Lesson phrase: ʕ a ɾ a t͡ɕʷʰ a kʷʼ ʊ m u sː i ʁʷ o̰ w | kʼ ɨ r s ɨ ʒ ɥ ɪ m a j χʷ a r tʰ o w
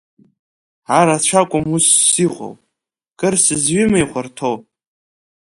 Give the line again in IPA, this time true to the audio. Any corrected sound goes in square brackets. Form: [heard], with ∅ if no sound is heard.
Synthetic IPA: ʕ a ɾ a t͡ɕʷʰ a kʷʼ ʊ m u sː i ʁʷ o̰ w | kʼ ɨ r s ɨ [z] ɥ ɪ m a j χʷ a r tʰ o w